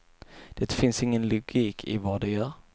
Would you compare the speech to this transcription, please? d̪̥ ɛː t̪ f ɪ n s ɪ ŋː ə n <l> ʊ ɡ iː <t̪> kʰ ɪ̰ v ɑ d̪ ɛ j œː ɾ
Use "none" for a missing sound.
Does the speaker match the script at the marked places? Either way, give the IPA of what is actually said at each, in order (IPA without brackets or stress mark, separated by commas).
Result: l, none